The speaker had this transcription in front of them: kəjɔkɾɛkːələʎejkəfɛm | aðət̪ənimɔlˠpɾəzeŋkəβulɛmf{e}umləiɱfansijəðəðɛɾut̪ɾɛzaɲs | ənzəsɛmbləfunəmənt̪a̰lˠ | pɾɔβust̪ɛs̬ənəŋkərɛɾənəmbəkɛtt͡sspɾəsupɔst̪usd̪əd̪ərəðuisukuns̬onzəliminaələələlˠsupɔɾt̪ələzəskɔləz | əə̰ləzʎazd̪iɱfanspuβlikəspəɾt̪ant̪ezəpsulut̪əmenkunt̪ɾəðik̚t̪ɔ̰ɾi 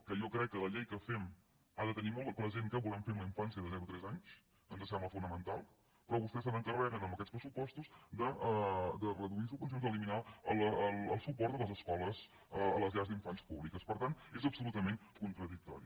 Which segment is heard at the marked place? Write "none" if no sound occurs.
e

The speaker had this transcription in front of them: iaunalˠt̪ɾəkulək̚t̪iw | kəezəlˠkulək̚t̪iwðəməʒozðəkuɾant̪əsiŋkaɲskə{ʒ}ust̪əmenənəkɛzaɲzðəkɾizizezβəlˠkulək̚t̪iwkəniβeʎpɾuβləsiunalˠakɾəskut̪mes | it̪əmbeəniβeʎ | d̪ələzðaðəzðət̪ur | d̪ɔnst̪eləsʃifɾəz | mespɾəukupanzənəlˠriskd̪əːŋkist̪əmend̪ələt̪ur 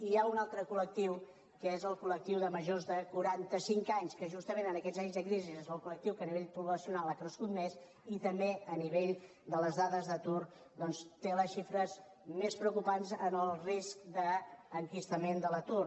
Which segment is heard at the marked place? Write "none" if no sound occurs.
ʒ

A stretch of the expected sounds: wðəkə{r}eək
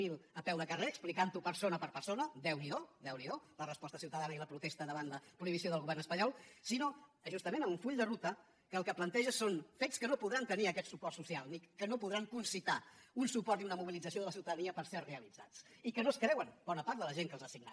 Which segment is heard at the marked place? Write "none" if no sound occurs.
r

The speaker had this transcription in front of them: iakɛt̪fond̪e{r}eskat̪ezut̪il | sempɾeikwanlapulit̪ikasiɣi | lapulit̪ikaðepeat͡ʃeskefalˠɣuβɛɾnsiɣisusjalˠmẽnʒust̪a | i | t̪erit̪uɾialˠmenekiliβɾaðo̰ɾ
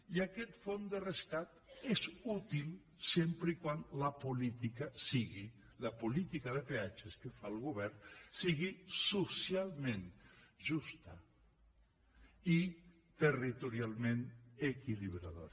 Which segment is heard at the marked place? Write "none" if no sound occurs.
r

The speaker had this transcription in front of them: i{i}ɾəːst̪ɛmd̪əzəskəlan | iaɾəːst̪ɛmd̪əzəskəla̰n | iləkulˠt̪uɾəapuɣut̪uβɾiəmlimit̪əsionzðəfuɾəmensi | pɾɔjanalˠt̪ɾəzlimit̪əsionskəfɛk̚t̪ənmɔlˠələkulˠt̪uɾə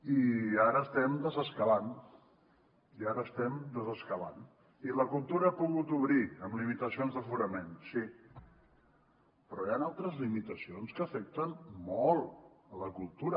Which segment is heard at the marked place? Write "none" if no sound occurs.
a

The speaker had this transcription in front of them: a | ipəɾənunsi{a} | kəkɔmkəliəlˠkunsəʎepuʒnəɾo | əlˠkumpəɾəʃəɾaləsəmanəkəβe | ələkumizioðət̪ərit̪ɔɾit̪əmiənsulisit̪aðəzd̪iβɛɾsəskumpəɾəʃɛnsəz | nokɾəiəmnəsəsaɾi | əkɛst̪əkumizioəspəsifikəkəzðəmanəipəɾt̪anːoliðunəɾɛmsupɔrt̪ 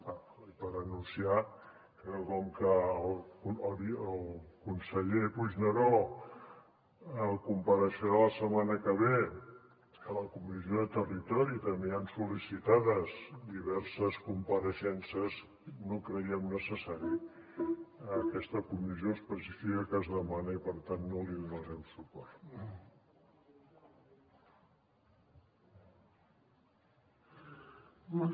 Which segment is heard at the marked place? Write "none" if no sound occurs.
a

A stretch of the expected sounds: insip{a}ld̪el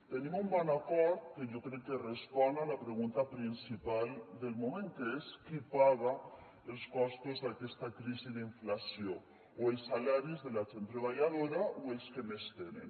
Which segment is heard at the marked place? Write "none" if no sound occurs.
a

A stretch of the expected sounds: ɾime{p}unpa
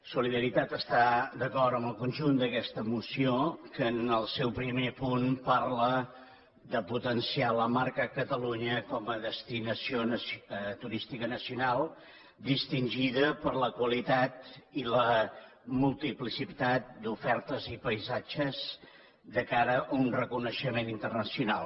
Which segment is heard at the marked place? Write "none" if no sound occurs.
p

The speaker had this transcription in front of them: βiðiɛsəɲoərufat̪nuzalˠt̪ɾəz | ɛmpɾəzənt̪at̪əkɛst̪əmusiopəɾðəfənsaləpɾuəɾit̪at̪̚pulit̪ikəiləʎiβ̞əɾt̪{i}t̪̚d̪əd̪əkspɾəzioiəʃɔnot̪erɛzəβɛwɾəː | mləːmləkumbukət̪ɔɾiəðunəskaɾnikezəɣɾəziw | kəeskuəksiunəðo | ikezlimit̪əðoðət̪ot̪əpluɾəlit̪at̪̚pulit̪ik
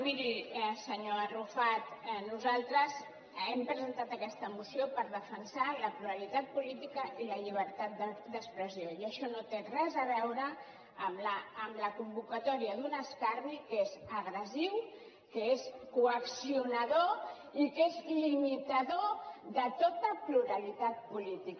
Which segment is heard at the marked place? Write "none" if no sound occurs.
a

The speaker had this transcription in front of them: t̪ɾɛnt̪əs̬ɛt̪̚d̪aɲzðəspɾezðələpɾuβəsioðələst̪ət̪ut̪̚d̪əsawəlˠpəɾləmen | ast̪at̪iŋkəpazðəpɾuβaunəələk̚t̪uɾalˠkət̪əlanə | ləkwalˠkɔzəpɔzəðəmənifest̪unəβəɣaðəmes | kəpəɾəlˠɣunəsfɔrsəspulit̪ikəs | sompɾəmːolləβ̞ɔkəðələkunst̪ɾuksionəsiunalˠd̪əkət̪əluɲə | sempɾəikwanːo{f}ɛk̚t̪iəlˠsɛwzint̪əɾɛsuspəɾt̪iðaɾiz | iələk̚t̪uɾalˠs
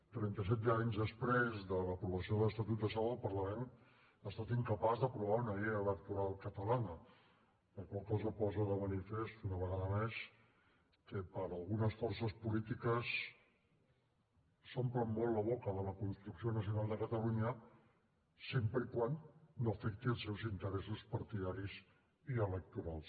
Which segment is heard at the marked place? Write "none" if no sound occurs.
f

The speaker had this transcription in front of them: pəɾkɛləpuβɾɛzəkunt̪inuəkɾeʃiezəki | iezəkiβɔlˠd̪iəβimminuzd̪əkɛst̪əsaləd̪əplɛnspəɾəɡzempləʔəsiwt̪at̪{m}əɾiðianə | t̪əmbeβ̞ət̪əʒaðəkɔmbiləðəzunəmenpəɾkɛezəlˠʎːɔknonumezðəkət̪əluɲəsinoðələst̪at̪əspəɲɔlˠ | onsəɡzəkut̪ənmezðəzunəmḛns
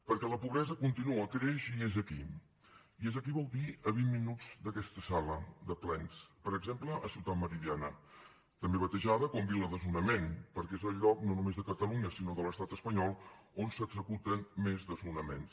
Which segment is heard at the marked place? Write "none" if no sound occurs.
m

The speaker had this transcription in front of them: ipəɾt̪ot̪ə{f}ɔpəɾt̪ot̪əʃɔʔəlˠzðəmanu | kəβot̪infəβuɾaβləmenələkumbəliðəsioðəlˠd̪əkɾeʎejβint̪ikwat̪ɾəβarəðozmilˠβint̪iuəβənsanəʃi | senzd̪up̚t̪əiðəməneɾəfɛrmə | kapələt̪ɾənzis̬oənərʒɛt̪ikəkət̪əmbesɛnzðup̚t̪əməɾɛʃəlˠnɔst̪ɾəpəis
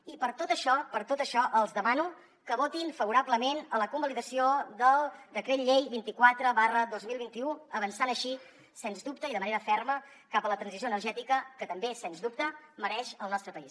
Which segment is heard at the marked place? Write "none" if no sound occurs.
ʃ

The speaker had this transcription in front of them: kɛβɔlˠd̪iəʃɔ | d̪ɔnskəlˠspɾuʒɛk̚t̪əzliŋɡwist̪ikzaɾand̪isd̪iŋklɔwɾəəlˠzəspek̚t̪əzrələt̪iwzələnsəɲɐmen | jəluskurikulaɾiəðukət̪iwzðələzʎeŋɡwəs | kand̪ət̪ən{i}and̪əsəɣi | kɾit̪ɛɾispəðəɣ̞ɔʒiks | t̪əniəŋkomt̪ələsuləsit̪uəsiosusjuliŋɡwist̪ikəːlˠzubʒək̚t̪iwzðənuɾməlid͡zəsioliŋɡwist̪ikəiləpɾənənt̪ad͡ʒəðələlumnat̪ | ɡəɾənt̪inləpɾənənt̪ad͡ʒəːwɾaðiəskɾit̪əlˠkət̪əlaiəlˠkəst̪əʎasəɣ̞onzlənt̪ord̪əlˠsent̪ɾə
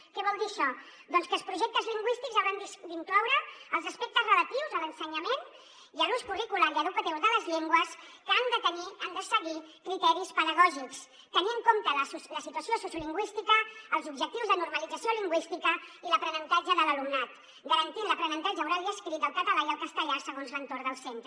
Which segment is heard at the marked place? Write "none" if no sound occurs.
i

